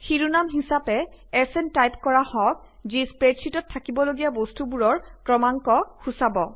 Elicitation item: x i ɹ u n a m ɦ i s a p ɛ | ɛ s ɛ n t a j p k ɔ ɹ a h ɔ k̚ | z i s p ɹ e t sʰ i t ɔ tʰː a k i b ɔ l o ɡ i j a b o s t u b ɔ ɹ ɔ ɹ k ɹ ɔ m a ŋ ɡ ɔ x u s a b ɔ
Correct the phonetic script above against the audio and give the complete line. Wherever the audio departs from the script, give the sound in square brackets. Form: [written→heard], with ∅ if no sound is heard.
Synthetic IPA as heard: x i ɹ u n a m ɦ i s a p ɛ | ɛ s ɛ n t a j p k ɔ ɹ a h ɔ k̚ | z i s p ɹ e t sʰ i t ɔ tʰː a k i b ɔ l o ɡ i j a b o s t u b [ɔ→u] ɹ ɔ ɹ k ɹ ɔ m a ŋ [ɡ→k] ɔ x u s a b ɔ